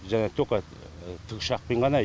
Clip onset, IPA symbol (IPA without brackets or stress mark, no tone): ʒ